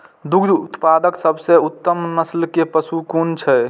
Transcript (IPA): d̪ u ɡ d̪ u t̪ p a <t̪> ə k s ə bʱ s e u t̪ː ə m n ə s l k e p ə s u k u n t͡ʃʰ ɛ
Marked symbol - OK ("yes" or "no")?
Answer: no